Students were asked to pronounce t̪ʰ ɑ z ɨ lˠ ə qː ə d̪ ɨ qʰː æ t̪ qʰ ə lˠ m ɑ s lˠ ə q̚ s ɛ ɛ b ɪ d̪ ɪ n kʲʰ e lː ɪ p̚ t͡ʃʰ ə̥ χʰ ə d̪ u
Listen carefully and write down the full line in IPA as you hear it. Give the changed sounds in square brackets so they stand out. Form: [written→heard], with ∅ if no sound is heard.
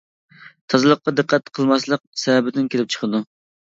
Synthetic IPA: t̪ʰ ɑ z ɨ lˠ ə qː [ə→ɑ] d̪ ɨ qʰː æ t̪ qʰ ə lˠ m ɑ s lˠ ə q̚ s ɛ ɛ b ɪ d̪ ɪ n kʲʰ e [lː→l] ɪ p̚ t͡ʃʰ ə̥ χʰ ə d̪ u